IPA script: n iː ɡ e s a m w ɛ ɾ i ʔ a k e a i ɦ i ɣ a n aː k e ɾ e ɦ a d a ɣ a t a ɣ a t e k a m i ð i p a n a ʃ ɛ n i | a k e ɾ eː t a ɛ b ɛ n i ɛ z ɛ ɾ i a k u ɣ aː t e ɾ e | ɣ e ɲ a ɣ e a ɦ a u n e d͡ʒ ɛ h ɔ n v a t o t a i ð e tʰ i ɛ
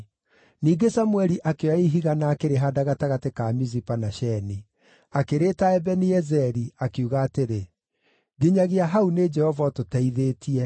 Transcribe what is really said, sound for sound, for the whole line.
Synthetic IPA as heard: n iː ɡ e s a m w ɛ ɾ i ʔ a k e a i ɦ i ɣ a n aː k e ɾ e ɦ a d a ɣ a t a ɣ a t e k a m i z i p a n a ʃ ɛ n i | a k e ɾ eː t a ɛ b ɛ n i ɛ z ɛ ɾ i a k u ɣ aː t e ɾ e | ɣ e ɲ a ɣ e a ɦ a u n e d͡ʒ ɛ h ɔ v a t o t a i ð e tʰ i ɛ